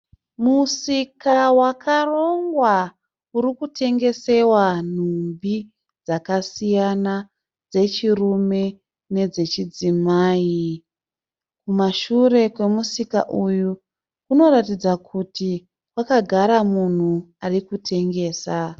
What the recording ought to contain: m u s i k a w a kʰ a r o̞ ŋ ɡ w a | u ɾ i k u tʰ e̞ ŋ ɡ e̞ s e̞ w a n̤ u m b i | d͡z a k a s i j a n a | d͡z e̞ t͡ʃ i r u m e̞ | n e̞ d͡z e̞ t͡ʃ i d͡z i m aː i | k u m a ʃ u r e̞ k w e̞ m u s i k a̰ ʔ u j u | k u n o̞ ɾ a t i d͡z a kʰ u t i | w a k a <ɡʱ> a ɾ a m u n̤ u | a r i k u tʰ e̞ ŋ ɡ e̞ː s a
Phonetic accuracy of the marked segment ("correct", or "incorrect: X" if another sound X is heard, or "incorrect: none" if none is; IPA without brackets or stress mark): correct